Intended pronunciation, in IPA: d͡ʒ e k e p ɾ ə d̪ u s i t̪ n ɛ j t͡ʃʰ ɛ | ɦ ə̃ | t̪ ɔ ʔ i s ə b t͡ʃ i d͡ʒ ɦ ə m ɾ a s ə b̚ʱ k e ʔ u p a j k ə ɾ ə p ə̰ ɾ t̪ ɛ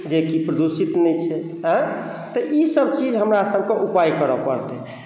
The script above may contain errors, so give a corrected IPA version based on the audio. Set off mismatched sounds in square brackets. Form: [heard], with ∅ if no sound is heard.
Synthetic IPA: d͡ʒ e k [i] p ɾ ə d̪ u s i t̪ n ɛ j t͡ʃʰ ɛ | ɦ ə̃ | t̪ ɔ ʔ i s ə b t͡ʃ i d͡ʒ ɦ ə m ɾ a s ə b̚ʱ k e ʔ u p a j k ə ɾ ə p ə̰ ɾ t̪ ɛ